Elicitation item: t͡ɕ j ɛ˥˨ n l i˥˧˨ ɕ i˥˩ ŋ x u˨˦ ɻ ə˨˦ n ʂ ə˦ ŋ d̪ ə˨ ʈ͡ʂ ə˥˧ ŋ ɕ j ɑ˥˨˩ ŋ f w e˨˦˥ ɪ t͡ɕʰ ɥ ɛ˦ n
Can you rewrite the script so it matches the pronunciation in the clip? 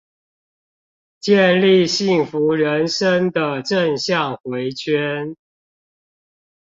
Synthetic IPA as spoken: t͡ɕ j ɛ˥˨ n l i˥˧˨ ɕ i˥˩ ŋ f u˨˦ ɻ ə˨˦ n ʂ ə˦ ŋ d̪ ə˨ ʈ͡ʂ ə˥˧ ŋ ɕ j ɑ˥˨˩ ŋ x w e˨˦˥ ɪ t͡ɕʰ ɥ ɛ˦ n